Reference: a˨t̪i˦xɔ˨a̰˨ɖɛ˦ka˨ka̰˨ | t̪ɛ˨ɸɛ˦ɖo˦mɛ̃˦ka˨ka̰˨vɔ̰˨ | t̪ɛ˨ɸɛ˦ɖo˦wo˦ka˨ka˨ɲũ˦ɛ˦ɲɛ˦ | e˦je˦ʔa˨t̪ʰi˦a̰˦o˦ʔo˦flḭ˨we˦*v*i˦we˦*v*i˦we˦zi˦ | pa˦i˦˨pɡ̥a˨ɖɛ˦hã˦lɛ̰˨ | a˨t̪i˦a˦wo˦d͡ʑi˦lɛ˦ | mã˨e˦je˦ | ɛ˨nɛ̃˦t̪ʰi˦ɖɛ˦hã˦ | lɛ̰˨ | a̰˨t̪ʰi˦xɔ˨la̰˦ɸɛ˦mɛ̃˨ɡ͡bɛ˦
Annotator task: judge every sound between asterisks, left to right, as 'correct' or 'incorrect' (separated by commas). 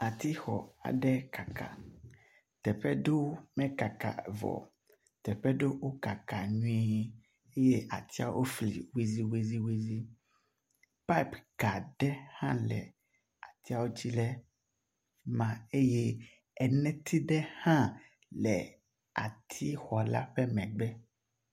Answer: incorrect, incorrect